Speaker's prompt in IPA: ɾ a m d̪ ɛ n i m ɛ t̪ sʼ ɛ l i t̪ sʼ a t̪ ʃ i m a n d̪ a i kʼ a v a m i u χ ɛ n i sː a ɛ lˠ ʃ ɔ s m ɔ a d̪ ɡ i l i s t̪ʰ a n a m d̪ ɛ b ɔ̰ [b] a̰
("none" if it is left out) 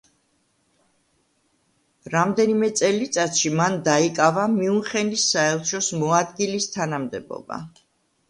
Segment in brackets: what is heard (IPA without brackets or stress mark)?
b